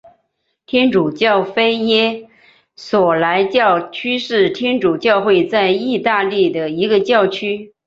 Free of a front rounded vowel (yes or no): no